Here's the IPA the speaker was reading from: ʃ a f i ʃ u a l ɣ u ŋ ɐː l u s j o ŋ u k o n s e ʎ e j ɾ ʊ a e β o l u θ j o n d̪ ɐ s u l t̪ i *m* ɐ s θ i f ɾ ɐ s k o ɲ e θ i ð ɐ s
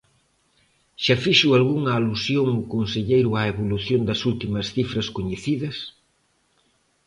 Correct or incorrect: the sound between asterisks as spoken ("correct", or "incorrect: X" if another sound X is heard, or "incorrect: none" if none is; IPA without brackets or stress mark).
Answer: correct